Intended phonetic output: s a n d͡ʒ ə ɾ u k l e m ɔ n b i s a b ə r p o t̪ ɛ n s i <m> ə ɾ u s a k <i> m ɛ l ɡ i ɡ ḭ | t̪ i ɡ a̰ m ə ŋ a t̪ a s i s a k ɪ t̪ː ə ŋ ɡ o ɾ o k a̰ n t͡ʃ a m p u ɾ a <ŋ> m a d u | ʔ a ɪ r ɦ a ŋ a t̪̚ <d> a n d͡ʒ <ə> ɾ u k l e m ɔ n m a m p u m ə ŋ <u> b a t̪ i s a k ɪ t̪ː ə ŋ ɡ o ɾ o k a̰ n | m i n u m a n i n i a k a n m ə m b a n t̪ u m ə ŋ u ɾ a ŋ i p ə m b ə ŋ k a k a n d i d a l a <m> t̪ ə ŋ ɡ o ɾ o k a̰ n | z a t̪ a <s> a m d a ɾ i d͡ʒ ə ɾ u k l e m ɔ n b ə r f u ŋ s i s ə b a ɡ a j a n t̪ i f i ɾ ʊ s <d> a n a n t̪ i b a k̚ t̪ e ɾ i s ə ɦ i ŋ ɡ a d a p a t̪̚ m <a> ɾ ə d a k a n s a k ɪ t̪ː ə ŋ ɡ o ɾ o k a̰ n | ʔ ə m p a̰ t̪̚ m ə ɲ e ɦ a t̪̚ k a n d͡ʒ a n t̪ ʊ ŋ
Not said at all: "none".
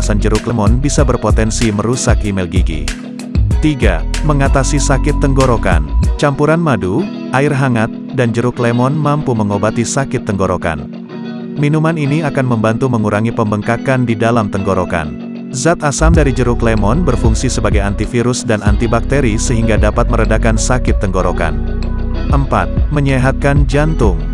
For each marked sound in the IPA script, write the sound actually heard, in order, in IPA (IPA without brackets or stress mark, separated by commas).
m, i, n, d, ə, o, m, s, d, ə